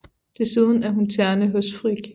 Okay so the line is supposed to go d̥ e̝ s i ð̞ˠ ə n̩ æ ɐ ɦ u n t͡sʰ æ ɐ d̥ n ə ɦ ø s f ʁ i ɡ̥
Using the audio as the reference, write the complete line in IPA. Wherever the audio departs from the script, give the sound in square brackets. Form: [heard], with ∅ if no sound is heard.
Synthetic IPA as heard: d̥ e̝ s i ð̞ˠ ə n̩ æ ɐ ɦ u n t͡sʰ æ ɐ [∅] n ə ɦ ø s f ʁ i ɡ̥